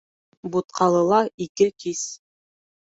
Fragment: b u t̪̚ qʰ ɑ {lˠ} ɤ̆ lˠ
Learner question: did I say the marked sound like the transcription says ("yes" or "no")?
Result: yes